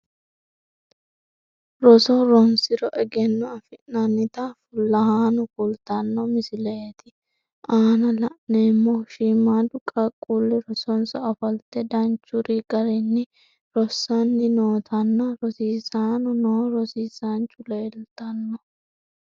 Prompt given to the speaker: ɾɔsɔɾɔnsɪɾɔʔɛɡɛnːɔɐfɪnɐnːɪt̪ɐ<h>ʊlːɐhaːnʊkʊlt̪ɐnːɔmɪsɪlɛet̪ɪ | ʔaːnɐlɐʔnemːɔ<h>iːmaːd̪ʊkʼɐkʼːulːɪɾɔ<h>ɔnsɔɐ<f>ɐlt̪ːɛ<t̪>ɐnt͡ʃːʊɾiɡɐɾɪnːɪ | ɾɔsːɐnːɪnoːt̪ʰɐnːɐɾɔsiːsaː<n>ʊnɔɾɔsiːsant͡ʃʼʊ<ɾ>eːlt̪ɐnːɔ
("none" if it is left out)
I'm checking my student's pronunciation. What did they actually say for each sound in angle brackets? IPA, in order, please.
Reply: f, ʃ, s, f, d̪, n, l

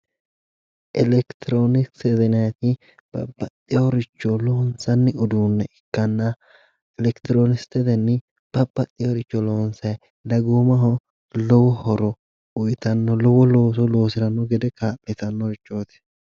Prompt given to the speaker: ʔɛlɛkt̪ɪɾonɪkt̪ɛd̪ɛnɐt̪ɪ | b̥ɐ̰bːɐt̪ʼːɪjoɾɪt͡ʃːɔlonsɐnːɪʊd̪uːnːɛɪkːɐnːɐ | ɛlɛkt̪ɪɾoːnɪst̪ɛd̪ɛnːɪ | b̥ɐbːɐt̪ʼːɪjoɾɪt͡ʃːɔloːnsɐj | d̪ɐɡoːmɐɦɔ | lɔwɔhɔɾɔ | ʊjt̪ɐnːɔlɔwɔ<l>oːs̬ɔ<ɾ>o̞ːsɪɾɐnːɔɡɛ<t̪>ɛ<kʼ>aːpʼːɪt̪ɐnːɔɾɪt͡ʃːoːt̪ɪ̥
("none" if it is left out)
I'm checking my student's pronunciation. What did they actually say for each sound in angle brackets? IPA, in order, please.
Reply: l, l, d̪, k

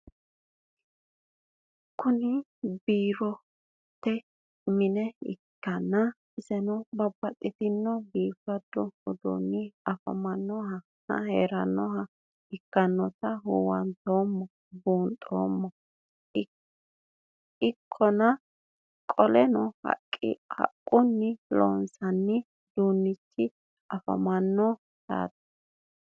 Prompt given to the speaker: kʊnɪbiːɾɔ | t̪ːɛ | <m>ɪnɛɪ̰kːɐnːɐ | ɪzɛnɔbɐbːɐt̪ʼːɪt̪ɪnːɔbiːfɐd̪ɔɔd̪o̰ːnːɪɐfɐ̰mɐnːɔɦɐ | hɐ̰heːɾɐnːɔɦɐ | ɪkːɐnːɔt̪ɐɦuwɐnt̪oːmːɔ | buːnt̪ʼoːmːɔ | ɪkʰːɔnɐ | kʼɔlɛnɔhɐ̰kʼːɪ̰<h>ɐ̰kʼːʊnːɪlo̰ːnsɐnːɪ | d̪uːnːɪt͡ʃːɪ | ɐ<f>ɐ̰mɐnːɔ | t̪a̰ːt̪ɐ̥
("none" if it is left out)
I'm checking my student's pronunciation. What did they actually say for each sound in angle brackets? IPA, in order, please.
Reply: m, h, f

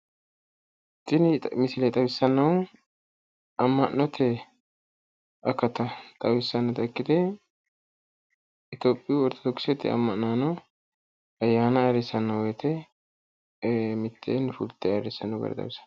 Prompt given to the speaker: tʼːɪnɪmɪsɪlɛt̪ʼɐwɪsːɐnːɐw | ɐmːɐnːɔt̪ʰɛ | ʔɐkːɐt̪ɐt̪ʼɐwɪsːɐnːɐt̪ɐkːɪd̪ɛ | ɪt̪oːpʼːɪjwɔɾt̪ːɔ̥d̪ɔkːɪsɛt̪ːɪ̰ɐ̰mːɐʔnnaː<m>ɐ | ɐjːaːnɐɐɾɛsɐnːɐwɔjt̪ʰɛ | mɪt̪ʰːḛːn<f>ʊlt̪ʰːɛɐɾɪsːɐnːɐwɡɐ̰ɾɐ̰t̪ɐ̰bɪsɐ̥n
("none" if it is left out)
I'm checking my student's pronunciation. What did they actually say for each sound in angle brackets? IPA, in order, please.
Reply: n, f

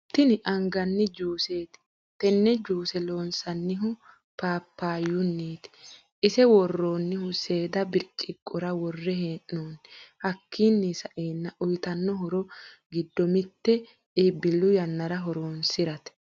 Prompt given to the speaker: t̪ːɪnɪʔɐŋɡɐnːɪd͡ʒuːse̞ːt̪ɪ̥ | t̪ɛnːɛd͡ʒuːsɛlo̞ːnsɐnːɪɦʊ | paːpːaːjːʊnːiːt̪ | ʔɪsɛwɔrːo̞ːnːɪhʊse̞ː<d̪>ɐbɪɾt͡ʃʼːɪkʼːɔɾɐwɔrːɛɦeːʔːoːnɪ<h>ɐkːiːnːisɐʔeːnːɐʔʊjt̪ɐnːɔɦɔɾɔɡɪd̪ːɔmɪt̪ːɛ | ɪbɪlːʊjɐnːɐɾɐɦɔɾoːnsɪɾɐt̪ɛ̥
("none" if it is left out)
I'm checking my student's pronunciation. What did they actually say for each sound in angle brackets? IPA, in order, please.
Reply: d̪, h

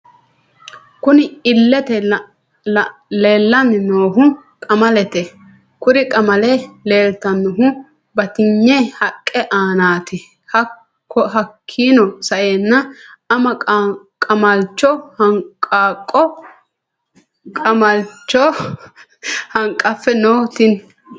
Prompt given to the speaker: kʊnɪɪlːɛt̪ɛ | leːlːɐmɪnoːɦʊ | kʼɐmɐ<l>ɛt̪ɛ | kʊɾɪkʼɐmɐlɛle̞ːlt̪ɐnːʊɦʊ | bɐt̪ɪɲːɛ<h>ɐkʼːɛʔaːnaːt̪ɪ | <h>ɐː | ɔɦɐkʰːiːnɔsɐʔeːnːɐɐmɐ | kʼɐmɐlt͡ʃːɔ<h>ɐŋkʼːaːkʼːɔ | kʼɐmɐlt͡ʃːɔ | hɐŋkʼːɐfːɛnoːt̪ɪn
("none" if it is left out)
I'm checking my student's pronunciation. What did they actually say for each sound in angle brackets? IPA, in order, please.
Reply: l, h, h, h

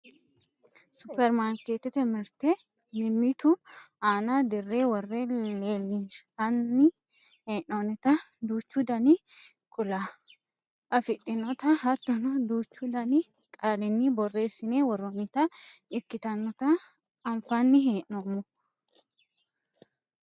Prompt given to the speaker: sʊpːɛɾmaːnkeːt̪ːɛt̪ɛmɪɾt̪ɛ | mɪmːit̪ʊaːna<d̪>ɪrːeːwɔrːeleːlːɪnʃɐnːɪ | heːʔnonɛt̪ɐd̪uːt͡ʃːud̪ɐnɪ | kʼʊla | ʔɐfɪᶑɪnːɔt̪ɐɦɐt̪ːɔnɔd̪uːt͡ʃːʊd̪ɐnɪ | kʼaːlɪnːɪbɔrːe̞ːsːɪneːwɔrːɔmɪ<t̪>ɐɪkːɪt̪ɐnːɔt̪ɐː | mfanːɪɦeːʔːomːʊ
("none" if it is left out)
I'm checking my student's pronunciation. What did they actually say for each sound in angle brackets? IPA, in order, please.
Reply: d̪, t̪

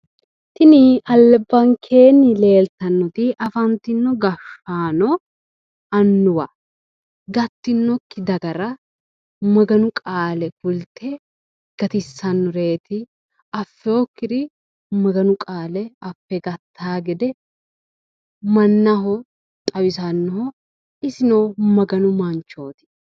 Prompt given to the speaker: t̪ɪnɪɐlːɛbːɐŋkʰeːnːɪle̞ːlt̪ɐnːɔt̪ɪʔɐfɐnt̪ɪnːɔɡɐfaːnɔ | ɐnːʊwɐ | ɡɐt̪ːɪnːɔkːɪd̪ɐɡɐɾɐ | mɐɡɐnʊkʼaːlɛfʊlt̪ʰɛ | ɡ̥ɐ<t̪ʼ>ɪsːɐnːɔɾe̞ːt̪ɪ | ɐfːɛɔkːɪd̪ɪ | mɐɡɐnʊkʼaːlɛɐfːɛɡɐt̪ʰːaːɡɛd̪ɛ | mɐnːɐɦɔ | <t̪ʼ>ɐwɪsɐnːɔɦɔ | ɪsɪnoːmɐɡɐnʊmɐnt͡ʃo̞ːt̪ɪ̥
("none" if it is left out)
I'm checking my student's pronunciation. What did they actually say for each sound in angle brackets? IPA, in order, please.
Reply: t̪, t̪ʼ

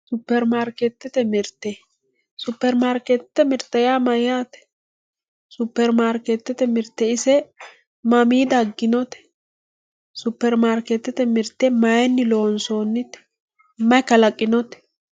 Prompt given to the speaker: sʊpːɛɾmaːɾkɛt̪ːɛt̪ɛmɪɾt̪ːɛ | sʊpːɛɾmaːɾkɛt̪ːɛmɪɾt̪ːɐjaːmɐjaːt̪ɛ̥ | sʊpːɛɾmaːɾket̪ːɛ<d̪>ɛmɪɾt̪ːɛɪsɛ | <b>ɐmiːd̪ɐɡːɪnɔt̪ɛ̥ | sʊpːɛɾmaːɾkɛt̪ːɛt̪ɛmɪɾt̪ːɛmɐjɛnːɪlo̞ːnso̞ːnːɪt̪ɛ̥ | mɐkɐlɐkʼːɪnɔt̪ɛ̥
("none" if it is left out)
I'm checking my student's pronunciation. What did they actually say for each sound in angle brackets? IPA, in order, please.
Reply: t̪, m

